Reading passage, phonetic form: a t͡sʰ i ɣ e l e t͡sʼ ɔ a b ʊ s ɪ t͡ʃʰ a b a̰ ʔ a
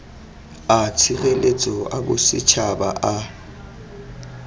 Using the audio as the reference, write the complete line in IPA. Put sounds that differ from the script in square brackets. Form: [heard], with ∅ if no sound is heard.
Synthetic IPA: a t͡sʰ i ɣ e l e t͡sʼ ɔ a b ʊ s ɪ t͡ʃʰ a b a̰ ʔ a